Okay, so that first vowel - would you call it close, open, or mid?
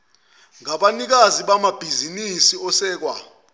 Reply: open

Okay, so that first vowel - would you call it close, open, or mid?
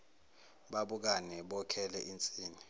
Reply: open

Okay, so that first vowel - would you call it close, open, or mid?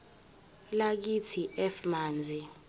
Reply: open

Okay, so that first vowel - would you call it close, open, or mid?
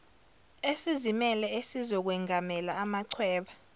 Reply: mid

